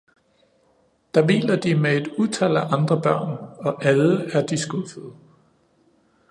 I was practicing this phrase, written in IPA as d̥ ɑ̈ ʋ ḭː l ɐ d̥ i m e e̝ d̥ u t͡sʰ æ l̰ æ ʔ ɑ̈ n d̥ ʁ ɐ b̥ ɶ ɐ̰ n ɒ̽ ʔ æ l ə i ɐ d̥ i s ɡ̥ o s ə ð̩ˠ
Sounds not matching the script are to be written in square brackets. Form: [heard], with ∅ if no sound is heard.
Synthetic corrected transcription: d̥ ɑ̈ ʋ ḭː l ɐ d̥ i m e e̝ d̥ u t͡sʰ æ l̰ æ ʔ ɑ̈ n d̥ ʁ ɐ b̥ ɶ ɐ̰ n ɒ̽ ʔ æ l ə [æ] ɐ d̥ i s ɡ̥ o [f] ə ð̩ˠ